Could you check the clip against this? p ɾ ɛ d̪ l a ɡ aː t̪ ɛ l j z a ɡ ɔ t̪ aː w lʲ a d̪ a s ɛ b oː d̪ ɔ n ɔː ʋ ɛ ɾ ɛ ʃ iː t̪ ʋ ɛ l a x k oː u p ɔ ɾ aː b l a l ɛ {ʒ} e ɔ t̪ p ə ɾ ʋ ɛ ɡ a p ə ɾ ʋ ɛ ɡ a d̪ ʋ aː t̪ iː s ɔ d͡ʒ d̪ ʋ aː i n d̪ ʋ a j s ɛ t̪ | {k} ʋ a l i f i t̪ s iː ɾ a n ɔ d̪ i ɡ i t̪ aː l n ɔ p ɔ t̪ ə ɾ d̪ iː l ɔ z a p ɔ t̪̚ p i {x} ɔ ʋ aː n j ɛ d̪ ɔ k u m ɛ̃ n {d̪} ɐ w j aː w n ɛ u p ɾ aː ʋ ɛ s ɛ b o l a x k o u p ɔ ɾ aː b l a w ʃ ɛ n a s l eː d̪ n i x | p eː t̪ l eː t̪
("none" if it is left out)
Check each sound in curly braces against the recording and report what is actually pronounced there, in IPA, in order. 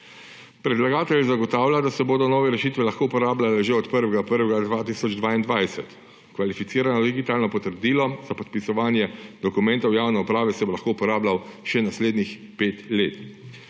ʒ, k, s, t̪

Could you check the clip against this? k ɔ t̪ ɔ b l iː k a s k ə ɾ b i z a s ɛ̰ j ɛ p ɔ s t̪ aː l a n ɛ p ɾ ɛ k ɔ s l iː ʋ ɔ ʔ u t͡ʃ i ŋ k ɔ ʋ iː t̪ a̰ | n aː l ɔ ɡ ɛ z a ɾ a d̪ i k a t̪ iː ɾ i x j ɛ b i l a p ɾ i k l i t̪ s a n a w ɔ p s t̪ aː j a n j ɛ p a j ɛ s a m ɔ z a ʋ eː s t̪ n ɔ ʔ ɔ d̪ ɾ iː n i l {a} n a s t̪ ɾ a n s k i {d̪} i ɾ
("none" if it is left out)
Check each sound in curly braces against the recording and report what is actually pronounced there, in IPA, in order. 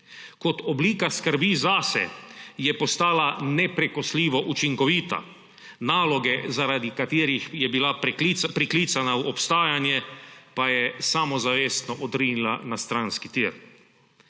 a, t̪

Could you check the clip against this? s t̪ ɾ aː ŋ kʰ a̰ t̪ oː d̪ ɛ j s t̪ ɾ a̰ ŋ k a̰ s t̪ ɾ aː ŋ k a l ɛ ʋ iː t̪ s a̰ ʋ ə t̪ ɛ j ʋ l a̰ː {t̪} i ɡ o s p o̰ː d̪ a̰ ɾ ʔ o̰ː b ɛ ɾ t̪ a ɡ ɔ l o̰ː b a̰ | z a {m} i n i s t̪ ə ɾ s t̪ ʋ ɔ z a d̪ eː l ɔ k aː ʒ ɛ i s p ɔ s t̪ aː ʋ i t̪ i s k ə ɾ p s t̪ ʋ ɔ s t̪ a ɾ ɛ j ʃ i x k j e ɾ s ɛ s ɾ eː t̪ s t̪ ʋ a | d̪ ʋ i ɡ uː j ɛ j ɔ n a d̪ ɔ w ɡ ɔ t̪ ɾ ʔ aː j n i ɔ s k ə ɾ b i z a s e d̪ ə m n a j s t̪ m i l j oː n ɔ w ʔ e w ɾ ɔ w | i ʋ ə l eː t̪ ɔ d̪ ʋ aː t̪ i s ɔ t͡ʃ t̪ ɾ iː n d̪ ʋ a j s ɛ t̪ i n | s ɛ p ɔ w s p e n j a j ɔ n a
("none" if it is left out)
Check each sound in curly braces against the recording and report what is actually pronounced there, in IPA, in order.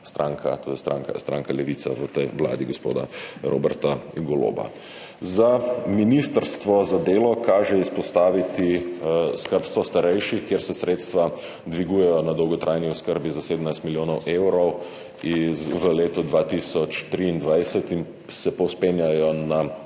d̪, m

